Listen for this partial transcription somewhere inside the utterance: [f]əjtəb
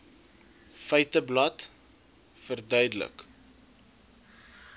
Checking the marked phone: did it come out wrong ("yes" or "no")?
no